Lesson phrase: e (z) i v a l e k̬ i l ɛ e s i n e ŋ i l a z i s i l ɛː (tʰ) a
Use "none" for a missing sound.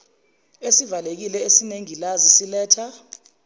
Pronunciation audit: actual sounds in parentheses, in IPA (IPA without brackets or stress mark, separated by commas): s, tʰ